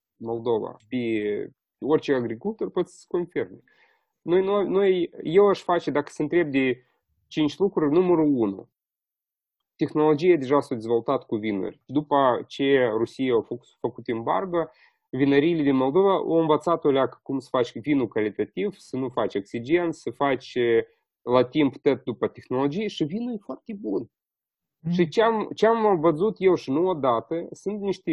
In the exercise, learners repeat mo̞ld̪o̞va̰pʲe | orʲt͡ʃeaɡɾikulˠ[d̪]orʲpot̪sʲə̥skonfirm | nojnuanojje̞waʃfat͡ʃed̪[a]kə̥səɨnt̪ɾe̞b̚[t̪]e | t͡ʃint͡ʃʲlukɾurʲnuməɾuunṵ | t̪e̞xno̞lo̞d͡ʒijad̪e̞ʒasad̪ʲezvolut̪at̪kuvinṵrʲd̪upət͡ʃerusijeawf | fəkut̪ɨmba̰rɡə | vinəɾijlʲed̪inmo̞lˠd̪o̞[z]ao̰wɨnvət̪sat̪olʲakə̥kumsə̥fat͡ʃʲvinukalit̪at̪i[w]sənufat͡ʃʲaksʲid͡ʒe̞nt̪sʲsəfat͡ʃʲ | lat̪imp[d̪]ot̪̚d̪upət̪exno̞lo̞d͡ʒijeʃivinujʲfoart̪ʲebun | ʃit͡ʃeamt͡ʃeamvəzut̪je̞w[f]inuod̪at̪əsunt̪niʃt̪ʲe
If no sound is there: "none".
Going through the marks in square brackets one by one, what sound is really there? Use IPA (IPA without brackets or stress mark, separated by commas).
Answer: t̪, a, d̪, v, v, t̪, ʃ